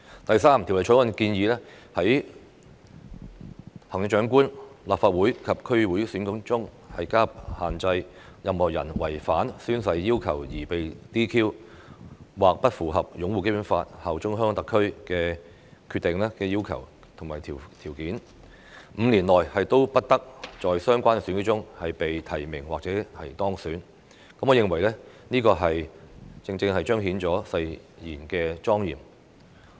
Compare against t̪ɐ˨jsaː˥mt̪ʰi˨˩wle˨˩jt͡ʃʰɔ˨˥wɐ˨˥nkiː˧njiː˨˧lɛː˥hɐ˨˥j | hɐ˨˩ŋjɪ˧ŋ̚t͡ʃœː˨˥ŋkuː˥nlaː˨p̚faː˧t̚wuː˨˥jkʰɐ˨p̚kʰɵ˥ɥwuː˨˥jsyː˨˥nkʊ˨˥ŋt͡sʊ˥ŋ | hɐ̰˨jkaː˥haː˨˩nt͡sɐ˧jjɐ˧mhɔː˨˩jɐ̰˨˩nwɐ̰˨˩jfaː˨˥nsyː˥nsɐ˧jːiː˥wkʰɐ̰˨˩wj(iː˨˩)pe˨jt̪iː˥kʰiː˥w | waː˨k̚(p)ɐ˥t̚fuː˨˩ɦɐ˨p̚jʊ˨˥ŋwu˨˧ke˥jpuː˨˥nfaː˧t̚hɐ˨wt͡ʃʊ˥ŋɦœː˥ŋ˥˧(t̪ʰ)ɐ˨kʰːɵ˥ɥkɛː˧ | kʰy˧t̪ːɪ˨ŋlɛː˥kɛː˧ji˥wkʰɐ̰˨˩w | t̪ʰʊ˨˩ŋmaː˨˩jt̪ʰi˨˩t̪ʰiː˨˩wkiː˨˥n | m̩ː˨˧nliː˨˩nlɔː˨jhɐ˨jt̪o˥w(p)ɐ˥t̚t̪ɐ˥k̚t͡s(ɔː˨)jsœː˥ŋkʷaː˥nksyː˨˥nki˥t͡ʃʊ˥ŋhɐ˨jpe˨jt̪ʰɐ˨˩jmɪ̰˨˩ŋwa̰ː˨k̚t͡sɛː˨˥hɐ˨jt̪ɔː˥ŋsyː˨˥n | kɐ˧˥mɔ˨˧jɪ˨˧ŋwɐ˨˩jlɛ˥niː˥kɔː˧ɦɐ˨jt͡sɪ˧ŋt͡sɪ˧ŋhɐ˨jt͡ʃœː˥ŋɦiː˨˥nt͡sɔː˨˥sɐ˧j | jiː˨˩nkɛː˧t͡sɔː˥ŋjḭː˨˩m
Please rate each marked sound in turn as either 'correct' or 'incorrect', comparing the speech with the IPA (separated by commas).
correct, correct, incorrect, correct, correct